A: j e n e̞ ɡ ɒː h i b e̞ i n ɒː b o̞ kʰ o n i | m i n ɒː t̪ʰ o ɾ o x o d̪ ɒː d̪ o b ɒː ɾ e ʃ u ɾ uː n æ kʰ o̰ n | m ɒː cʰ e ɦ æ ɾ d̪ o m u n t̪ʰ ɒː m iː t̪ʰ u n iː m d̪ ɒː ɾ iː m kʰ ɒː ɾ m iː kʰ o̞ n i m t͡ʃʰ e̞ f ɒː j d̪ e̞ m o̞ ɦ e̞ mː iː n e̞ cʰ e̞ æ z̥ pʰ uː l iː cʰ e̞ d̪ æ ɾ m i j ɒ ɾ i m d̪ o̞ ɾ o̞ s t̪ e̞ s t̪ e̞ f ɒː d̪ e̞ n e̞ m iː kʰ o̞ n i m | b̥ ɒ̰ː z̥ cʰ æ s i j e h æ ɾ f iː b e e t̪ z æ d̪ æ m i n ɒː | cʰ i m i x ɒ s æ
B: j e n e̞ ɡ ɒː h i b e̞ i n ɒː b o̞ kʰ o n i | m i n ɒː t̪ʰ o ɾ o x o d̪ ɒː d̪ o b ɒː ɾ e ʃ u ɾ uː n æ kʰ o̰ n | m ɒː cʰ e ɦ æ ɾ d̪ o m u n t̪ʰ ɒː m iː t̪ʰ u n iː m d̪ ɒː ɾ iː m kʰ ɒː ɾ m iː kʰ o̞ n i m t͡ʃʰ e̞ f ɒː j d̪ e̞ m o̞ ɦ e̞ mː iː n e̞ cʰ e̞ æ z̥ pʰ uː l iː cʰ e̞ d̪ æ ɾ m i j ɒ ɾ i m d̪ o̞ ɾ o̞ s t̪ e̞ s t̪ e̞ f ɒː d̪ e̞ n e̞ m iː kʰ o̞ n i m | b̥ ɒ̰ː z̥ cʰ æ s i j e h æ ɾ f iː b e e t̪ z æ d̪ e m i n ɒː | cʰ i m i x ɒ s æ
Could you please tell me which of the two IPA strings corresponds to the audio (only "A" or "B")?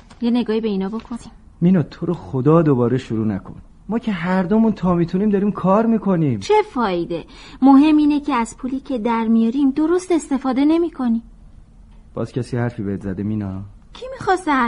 B